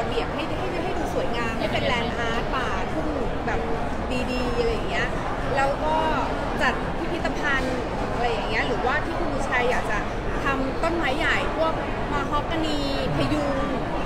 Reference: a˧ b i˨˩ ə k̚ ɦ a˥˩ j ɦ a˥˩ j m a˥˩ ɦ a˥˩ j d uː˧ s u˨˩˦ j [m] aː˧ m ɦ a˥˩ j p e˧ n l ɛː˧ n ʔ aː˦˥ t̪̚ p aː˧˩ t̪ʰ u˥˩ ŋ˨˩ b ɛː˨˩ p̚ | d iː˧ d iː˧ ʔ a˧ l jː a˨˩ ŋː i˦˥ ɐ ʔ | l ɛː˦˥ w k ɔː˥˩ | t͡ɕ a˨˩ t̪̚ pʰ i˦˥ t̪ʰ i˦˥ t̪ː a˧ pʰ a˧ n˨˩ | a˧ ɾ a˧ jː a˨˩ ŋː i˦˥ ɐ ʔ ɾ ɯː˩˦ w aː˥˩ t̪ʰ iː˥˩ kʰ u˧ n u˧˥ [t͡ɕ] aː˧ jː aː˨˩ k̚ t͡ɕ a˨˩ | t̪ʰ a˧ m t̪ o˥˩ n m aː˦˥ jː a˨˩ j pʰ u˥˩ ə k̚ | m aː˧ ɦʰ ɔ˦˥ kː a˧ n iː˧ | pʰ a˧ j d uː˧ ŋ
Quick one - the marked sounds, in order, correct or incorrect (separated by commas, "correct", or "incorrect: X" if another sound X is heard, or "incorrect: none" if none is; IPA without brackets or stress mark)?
incorrect: ŋ, incorrect: t͡ɕʰ